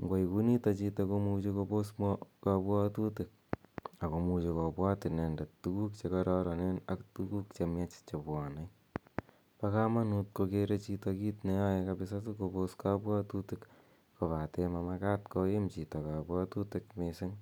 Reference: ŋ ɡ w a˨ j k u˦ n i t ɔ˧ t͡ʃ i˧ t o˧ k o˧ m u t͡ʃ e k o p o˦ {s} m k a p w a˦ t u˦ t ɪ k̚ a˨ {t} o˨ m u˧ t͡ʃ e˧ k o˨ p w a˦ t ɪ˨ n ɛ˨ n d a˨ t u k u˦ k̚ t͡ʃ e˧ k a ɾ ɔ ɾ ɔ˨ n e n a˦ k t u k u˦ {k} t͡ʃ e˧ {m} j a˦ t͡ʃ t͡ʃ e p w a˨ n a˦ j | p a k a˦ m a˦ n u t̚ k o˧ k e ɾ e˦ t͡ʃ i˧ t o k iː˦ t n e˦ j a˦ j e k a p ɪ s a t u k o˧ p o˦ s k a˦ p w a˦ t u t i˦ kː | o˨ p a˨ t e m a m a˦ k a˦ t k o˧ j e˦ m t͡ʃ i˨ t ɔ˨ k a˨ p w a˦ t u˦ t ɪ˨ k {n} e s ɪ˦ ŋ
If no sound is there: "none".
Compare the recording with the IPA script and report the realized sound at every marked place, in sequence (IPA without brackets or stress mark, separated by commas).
s, k, k, m, m